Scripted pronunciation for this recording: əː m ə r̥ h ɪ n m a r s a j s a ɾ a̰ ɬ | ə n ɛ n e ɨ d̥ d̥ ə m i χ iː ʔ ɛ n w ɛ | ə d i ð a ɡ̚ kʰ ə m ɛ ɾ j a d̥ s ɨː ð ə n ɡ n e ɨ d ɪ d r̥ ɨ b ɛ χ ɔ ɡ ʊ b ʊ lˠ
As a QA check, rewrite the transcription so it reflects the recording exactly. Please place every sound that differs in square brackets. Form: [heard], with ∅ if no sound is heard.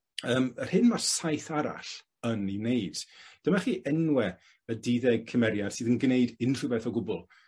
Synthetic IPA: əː m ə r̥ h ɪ n m a r s a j [θ] a ɾ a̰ ɬ | ə n [i] n e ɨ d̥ d̥ ə m [a] χ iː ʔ ɛ n w ɛ | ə d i ð [ɛ] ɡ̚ kʰ ə m ɛ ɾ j a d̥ s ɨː ð ə n ɡ n e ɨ d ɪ [n] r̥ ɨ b ɛ [θ] ɔ ɡ ʊ b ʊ lˠ